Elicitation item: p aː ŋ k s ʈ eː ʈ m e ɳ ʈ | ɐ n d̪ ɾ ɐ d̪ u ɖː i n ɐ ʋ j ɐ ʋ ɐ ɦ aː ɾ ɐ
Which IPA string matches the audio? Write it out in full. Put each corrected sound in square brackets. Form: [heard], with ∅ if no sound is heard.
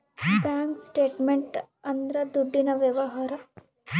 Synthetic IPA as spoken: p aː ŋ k s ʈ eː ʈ m e ɳ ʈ | ɐ n d̪ ɾ ɐ d̪ u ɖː i n ɐ ʋ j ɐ ʋ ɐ ɦ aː ɾ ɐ